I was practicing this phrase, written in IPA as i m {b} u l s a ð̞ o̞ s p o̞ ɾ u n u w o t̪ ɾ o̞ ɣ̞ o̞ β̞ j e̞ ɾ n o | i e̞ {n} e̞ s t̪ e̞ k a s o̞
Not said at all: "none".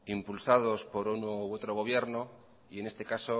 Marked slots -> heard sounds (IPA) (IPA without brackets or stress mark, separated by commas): p, n